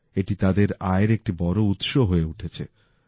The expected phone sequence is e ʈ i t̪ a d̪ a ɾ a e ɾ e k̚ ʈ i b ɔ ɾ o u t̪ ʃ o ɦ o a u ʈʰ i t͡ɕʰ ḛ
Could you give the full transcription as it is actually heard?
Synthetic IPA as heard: e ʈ i t̪ a d̪ e ɾ a e ɾ e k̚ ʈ i b ɔ ɾ o u t̪ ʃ o ɦ o e u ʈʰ e t͡ɕʰ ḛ